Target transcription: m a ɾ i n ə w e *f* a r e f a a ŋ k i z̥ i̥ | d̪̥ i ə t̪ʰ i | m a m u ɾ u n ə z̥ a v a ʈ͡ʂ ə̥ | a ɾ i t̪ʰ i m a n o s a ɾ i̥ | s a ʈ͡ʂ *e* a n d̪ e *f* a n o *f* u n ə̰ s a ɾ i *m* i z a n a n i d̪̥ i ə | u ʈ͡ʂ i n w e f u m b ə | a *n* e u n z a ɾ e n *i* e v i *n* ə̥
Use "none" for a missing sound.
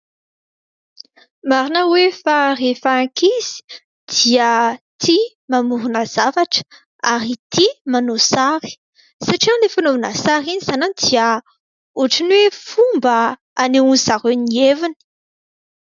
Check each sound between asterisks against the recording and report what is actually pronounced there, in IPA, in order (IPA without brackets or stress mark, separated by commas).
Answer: f, i, f, v, n, n, i, n